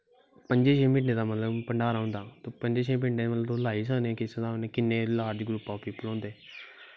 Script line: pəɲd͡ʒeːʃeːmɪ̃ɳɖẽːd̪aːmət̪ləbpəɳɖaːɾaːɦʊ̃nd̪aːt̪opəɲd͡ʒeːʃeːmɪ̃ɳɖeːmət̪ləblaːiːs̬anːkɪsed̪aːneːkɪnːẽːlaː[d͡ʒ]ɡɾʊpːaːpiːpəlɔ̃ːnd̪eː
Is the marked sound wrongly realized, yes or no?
no